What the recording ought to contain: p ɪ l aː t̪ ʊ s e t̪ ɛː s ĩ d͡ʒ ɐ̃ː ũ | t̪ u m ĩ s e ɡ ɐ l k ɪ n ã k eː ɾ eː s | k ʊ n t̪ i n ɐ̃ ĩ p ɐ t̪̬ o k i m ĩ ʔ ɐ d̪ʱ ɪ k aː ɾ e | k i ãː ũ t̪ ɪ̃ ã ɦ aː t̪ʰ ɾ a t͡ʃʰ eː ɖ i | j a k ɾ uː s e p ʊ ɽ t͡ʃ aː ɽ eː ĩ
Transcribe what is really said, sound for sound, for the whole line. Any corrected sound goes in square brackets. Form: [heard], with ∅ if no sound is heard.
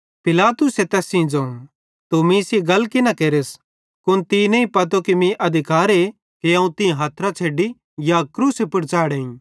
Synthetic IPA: p ɪ l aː t̪ ʊ s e t̪ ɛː s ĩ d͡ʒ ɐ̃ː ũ | t̪ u m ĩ s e ɡ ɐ l k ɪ n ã k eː ɾ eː s | k ʊ n t̪ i n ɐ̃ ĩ p ɐ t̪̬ o k i m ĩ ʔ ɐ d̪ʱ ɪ k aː ɾ e | k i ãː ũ t̪ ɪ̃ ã ɦ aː t̪ʰ ɾ a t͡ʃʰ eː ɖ i | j a k ɾ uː s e p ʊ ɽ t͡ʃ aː ɽ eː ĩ